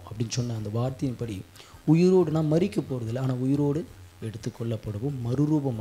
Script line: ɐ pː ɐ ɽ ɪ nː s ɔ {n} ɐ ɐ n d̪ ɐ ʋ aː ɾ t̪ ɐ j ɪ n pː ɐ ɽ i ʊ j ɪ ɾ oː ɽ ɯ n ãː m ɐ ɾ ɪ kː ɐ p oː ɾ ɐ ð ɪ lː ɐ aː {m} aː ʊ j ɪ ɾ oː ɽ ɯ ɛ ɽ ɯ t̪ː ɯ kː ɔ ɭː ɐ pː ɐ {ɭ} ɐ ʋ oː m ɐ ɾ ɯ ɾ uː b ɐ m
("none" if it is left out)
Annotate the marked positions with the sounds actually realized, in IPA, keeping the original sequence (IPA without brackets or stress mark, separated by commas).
nː, n, ɽ